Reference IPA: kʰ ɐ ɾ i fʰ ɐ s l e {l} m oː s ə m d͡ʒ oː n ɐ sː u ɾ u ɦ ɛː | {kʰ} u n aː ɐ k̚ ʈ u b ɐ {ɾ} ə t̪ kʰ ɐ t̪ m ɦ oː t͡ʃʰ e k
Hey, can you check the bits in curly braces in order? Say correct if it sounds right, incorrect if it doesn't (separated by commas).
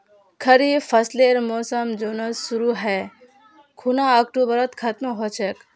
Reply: incorrect, correct, correct